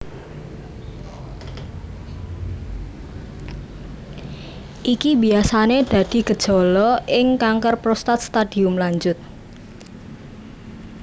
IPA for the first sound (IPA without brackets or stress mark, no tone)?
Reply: ʔ